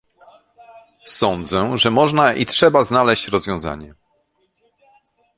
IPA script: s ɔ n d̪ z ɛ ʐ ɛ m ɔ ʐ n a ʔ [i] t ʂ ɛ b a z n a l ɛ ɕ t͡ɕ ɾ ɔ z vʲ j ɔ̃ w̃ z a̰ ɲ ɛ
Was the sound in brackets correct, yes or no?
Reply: yes